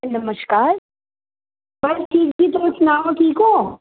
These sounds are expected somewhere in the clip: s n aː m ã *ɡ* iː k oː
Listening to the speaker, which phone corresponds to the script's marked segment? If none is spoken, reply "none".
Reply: k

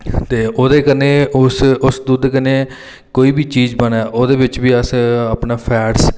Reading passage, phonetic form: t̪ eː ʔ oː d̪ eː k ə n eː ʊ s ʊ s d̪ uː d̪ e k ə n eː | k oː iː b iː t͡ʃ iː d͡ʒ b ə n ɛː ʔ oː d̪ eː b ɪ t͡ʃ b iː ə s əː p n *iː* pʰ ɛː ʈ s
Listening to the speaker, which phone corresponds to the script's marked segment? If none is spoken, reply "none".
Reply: aː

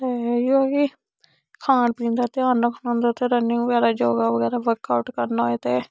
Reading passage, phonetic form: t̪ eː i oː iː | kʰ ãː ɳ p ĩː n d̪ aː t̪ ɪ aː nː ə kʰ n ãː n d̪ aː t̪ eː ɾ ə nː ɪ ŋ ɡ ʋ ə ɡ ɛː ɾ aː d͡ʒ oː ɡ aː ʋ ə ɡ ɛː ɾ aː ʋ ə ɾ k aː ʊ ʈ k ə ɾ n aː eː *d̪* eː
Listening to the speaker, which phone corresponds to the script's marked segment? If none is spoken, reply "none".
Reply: t̪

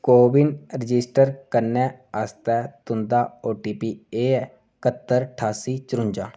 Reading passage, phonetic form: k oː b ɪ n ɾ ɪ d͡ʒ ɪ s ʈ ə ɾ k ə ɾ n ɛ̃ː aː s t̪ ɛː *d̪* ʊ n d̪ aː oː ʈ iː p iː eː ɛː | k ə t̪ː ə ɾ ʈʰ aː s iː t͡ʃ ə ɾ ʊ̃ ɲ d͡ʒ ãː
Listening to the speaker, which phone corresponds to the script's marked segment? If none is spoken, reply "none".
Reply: t̪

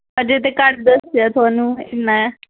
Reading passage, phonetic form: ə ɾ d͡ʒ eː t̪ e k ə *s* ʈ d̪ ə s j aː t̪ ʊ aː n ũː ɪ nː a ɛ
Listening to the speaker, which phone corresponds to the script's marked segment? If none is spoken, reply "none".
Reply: none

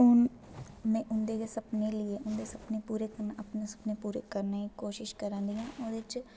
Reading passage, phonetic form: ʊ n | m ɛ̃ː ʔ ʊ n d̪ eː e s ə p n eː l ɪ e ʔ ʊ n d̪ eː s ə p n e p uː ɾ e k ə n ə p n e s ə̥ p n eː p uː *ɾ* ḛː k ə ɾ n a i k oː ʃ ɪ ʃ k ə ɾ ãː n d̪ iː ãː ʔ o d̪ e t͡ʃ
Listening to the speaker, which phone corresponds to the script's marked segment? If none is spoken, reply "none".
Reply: ɾ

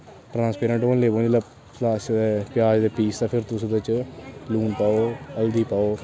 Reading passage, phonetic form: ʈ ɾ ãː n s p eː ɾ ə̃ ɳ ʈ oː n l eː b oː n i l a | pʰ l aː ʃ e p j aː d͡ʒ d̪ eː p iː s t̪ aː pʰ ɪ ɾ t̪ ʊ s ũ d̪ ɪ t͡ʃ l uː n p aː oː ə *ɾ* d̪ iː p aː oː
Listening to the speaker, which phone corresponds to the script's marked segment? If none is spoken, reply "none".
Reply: l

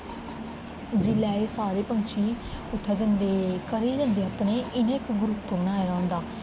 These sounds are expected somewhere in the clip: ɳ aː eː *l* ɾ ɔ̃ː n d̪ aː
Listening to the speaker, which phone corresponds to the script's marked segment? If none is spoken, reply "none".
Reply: none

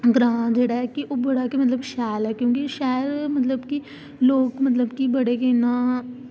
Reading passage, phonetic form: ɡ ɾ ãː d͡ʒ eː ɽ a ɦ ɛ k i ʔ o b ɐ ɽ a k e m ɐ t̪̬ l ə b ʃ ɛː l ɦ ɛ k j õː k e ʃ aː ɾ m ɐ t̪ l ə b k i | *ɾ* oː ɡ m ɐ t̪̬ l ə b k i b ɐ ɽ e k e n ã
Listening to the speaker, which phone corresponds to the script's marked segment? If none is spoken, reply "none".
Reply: l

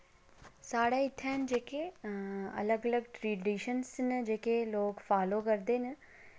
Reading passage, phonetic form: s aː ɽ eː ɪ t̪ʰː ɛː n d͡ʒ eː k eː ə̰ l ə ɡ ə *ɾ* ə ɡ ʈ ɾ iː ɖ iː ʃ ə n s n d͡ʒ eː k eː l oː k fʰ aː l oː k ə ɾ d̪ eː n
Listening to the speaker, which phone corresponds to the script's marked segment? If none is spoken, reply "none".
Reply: l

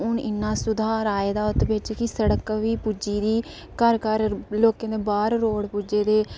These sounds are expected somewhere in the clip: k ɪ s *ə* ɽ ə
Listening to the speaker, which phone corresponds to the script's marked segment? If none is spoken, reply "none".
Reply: ə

